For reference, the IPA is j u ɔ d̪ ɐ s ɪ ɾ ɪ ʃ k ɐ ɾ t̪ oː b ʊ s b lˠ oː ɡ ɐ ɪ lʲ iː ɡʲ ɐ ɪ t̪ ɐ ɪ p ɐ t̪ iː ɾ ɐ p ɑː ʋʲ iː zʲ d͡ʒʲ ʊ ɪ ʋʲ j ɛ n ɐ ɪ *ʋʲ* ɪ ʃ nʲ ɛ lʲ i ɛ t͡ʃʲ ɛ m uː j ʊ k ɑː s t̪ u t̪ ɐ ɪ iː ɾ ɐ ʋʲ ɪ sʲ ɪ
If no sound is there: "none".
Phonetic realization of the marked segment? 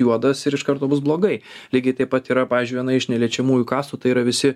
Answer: none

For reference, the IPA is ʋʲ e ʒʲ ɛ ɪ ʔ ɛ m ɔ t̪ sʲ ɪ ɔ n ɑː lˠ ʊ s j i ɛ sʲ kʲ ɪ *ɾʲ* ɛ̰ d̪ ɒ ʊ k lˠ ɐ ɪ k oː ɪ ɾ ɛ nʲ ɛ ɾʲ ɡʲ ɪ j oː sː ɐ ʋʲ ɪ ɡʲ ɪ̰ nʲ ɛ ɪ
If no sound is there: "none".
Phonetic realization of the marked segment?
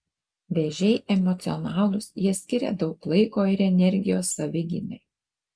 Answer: ɾʲ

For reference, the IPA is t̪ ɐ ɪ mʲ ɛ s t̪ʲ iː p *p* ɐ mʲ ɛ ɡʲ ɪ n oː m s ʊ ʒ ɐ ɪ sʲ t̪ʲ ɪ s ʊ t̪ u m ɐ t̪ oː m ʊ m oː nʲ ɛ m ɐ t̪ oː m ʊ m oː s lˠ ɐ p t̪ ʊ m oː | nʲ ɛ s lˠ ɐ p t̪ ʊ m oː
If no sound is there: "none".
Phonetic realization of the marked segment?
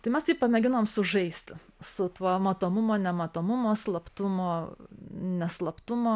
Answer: p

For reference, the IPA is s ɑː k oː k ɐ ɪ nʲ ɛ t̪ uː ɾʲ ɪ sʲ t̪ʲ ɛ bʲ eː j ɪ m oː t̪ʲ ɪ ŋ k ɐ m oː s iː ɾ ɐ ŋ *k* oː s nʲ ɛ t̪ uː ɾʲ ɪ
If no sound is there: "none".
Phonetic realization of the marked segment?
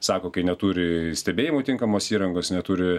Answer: ɡ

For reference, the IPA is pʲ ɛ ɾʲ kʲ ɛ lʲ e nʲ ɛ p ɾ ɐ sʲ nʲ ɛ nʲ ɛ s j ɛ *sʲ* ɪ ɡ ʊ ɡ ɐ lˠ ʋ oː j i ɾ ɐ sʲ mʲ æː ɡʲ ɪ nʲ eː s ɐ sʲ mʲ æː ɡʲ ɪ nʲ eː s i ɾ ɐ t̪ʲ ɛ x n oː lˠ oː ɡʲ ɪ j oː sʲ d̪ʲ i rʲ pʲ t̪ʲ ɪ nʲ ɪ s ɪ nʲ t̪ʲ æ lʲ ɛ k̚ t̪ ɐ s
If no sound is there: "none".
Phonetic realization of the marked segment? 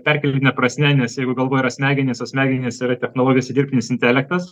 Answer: none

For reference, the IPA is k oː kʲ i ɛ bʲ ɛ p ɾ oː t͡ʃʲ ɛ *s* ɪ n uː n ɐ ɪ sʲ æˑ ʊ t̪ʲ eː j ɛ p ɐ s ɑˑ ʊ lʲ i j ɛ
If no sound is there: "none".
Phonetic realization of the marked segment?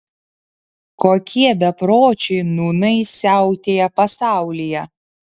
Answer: none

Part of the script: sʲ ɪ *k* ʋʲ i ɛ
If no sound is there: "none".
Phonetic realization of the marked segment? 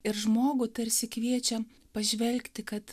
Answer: k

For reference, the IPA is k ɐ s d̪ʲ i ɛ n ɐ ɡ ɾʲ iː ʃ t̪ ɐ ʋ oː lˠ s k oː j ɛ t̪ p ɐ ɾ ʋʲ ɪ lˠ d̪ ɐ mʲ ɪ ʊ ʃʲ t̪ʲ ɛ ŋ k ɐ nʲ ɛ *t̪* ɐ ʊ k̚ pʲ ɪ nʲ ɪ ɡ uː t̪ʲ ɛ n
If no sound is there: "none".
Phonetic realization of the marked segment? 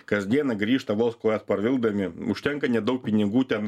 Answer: d̪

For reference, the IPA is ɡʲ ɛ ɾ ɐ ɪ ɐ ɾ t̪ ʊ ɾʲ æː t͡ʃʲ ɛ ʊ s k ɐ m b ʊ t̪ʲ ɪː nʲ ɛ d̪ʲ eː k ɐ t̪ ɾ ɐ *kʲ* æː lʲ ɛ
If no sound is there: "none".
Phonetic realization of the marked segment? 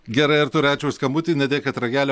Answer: ɡʲ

